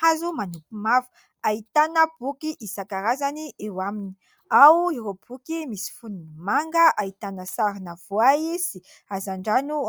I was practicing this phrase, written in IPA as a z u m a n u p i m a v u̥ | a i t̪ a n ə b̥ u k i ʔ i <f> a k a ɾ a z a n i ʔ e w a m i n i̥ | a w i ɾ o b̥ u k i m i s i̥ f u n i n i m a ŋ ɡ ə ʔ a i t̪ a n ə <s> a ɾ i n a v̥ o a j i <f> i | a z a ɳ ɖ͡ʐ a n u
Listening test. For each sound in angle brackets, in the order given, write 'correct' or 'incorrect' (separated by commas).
incorrect, correct, incorrect